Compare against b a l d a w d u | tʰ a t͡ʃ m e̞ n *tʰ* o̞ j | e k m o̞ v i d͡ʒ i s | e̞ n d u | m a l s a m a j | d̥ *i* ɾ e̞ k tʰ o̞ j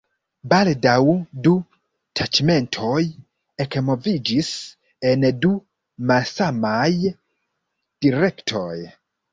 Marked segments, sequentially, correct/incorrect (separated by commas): correct, correct